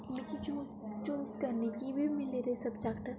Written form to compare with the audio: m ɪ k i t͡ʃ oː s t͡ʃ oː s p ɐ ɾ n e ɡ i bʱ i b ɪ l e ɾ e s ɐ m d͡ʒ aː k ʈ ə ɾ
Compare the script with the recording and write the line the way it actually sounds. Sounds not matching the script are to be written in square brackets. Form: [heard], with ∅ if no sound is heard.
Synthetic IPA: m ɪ k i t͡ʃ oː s t͡ʃ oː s [k] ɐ ɾ n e [k] i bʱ i [m] ɪ l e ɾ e s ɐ [b] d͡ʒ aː k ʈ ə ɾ